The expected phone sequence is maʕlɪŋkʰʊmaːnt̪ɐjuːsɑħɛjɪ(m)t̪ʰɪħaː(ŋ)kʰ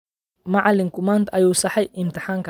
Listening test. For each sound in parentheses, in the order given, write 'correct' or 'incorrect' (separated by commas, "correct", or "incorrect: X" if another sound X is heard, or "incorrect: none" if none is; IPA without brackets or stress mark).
correct, correct